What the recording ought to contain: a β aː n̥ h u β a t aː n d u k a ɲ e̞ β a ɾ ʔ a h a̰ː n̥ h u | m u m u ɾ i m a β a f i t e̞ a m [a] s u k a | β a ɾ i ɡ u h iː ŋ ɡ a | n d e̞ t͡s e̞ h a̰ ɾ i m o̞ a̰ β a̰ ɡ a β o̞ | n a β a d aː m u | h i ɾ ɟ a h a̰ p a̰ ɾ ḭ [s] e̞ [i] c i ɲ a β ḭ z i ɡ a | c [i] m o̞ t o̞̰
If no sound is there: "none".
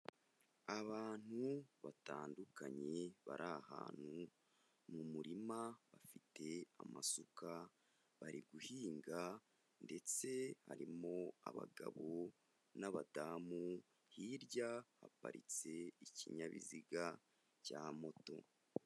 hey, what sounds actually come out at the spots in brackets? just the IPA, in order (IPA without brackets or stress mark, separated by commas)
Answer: a, t͡s, i, a